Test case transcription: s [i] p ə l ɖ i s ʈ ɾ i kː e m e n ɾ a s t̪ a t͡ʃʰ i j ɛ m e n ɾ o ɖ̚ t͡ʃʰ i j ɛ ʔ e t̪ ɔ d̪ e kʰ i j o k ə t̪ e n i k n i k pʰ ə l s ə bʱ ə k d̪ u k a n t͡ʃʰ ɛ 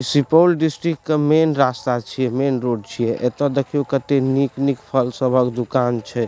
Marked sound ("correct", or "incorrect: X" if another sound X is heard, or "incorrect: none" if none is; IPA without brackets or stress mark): correct